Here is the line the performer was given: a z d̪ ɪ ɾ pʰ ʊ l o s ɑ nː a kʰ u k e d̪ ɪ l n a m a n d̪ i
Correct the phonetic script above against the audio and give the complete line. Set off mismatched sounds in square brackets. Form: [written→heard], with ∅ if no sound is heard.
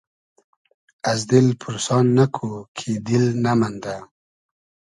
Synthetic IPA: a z d̪ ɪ [ɾ→l] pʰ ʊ [l→ɾ] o s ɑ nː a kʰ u [k→kʰ] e d̪ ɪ l n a m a n d̪ [i→a]